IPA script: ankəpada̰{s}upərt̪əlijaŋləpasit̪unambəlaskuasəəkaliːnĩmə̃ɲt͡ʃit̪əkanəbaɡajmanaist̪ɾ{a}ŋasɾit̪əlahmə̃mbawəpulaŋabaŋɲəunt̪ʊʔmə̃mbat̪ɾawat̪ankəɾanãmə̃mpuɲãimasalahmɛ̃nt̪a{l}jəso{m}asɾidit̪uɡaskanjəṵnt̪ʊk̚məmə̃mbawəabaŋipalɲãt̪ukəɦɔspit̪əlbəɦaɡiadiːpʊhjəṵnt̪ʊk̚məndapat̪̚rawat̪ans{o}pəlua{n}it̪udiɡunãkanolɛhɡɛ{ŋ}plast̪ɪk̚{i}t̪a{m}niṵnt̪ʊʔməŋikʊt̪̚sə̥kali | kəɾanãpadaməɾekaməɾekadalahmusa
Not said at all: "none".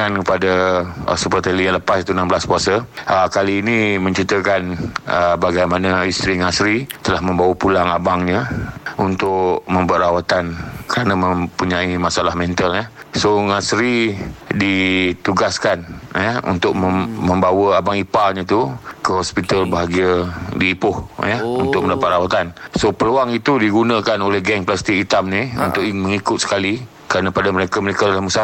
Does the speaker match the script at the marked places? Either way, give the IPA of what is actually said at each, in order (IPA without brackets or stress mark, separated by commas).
s, i, l, ŋ, o, ŋ, ŋ, i, m